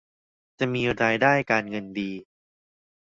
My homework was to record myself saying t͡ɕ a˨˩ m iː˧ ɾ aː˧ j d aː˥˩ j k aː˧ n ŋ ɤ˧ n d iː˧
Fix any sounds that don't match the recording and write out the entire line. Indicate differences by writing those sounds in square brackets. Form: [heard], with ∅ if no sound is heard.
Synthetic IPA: t͡ɕ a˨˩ m iː˧ ɾ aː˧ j d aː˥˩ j k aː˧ n ŋ ɤ˧ n d iː˧